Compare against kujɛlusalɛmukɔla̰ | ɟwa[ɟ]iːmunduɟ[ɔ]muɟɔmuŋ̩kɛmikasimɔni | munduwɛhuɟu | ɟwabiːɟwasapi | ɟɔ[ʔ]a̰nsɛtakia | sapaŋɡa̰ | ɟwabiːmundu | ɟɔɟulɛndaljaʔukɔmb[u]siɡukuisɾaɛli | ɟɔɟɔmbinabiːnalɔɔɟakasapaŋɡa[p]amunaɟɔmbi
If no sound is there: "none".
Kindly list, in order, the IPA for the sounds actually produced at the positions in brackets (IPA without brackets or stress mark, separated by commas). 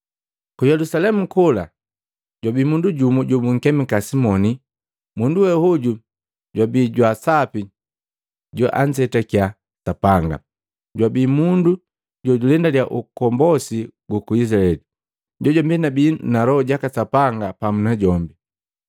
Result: b, u, ʔ, ɔ, p